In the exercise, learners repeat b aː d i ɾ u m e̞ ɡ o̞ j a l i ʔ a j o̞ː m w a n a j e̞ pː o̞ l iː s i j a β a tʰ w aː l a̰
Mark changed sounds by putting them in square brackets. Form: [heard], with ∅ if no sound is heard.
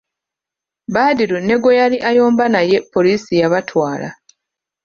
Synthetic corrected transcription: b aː d i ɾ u [n] e̞ ɡ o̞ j a l i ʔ a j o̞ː m [b] a n a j e̞ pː o̞ l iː s i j a β a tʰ w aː l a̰